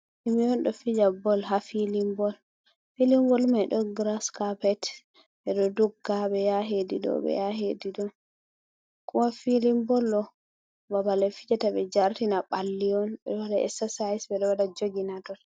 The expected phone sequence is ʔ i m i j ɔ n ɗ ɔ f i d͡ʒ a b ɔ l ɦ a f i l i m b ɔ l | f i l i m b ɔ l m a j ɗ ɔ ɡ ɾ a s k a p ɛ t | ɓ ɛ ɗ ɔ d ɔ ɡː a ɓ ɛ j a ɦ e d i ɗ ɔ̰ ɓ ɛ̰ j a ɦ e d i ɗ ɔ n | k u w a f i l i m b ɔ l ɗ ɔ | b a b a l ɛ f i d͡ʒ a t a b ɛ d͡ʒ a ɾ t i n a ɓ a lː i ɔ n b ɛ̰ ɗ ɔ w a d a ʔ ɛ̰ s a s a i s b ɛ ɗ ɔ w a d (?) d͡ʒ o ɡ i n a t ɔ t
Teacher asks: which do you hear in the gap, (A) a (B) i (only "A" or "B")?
A